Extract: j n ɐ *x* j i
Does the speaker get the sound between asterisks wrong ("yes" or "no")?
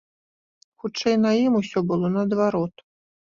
yes